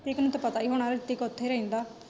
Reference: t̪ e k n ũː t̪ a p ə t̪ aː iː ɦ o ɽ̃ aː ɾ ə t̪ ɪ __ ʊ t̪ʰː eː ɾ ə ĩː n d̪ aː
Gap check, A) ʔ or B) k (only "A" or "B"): B